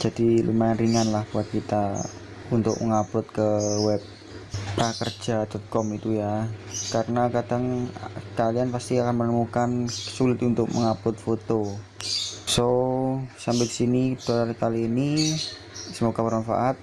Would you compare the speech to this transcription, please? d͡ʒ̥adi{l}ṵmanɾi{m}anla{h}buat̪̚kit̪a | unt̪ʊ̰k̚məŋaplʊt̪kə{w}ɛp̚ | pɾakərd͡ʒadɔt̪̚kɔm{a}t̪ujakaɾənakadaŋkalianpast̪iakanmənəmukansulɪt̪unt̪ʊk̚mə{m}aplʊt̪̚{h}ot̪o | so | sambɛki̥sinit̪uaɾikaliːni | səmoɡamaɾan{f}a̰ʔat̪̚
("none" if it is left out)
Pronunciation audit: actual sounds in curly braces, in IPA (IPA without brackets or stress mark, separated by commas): l, ŋ, h, w, i, ŋ, f, f